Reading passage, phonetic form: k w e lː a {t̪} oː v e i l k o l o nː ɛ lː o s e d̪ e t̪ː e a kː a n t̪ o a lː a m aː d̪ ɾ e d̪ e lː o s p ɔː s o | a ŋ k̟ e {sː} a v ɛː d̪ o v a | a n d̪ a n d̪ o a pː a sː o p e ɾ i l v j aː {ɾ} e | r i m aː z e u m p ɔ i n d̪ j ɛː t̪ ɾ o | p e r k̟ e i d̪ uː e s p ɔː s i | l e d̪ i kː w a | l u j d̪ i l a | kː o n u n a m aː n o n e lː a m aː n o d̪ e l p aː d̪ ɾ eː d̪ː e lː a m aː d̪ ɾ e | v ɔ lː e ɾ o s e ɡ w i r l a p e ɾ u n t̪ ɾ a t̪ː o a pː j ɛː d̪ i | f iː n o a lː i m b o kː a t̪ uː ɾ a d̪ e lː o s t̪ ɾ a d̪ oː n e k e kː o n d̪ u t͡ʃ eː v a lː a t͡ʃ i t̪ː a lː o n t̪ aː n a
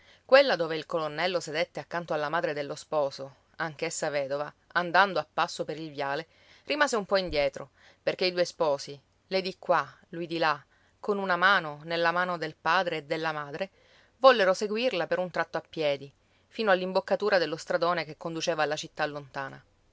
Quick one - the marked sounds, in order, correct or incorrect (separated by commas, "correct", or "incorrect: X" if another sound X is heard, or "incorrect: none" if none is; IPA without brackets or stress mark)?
incorrect: d̪, correct, incorrect: l